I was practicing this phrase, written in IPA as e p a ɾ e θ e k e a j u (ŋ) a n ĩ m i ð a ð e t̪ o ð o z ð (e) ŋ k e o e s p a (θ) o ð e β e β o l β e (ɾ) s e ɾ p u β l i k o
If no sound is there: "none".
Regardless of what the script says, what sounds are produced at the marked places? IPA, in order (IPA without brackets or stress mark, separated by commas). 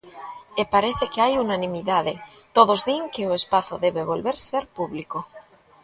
n, i, θ, ɾ